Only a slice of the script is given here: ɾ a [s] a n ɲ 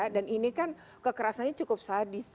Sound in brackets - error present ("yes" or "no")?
no